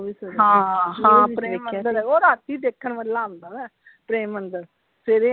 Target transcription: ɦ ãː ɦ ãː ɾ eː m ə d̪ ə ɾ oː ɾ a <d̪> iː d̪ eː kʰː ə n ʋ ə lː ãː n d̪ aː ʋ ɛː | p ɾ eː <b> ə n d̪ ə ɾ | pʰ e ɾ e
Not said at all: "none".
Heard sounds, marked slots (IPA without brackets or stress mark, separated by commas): t̪, m